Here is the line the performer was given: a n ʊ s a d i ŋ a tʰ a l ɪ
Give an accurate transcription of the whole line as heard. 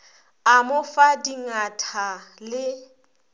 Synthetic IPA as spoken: a m ʊ f a d i ŋ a tʰ a l ɪ